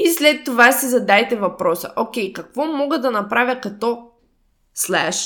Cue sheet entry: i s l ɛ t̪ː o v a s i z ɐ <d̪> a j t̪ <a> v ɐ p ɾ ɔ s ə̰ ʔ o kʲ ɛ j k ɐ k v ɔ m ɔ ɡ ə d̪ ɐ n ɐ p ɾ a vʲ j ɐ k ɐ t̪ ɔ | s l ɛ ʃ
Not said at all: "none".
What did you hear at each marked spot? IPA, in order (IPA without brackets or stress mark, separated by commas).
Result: d̪, ɛ